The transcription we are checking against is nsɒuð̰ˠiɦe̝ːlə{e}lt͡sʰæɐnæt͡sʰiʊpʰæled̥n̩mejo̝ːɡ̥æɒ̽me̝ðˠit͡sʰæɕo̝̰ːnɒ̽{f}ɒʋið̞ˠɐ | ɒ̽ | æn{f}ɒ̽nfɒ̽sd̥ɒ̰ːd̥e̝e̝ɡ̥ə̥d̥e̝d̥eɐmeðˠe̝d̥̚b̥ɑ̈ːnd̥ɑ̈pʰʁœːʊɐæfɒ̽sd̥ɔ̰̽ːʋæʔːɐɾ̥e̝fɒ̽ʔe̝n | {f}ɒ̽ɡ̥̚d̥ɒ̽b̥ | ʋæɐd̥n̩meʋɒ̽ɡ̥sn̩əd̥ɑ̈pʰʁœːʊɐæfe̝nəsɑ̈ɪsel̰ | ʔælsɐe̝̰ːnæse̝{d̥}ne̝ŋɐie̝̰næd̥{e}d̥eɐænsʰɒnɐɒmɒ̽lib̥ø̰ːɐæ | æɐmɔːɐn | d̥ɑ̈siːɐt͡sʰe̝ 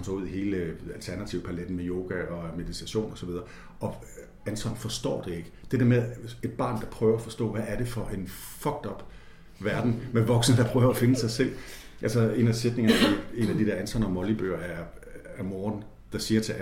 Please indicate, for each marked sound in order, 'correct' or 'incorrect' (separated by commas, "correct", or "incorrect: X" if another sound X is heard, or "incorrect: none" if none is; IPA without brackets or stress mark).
incorrect: æ, incorrect: s, incorrect: s, correct, correct, incorrect: i